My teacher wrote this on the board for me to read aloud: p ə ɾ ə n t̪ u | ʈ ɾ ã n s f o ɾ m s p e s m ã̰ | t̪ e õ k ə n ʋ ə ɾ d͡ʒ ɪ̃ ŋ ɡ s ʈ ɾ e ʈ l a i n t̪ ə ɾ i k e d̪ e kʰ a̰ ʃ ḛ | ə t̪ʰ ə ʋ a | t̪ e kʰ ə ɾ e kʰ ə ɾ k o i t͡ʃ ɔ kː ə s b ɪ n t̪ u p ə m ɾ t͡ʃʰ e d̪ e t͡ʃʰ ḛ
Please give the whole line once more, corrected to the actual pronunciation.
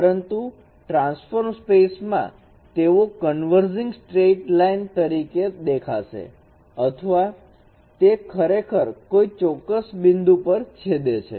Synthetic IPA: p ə ɾ ə n t̪ u | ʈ ɾ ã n s f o ɾ m s p e s m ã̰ | t̪ e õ k ə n ʋ ə ɾ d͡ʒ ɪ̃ ŋ ɡ s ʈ ɾ e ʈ l a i n t̪ ə ɾ i k e d̪ e kʰ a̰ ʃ ḛ | ə t̪ʰ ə ʋ a | t̪ e kʰ ə ɾ e kʰ ə ɾ k o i t͡ʃ ɔ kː ə s b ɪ n d̪ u p ə ɾ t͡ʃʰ e d̪ e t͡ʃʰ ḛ